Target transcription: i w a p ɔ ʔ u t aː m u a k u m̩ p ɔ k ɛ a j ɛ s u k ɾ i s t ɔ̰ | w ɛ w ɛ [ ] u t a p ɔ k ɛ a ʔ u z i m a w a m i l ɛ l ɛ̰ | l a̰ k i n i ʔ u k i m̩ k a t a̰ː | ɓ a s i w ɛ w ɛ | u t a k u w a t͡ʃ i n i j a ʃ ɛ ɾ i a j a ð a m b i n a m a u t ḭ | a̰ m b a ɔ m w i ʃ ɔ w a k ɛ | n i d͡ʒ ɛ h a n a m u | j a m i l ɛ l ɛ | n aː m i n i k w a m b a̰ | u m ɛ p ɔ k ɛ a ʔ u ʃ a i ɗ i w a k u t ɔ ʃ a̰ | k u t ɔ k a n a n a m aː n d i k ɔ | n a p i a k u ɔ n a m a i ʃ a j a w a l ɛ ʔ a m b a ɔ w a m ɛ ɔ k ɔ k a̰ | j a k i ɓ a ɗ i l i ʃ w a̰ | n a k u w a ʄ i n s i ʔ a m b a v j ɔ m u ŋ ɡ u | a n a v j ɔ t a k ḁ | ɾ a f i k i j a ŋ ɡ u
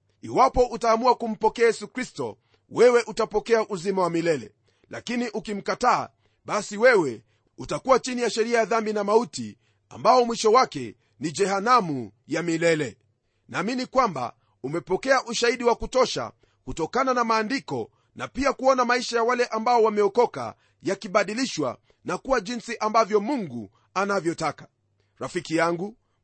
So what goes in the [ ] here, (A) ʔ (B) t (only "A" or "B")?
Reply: A